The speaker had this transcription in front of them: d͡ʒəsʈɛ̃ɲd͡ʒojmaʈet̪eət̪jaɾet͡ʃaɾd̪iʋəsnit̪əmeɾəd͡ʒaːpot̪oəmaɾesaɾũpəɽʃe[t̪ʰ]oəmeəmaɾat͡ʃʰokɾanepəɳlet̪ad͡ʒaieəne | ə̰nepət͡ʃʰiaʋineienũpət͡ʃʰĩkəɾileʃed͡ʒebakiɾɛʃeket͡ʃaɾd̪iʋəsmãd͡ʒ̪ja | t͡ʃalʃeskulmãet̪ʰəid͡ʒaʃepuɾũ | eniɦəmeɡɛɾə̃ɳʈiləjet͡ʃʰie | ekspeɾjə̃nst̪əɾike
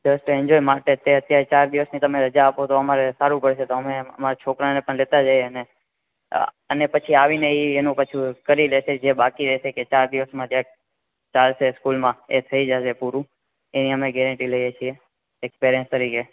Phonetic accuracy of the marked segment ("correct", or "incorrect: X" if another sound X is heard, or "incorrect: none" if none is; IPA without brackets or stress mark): incorrect: t̪